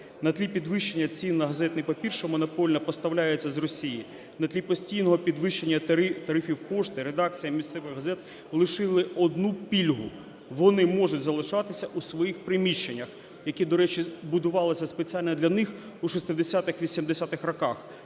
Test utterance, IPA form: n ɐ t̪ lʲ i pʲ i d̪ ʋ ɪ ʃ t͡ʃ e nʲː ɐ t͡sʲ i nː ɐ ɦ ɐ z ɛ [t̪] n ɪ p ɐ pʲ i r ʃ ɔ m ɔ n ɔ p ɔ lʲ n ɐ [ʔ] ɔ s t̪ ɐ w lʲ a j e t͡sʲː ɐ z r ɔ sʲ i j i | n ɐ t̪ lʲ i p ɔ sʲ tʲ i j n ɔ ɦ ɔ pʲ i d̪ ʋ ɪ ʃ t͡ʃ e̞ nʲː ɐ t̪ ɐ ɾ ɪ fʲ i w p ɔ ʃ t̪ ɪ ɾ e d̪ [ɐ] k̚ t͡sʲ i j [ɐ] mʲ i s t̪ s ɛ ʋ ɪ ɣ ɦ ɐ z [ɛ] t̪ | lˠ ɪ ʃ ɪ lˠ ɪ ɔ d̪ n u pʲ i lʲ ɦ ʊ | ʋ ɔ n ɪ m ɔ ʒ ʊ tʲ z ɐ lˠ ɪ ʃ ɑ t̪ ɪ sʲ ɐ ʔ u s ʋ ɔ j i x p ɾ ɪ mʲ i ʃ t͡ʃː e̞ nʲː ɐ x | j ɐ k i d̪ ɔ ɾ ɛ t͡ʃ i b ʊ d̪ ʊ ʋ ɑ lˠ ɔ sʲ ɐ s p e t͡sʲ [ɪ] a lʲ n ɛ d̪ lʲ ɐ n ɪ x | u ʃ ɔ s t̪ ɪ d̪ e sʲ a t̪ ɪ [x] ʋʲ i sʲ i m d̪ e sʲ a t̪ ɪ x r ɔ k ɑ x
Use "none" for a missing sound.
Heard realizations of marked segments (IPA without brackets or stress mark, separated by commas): t̪, p, ɑ, ɐ, ɛ, i, x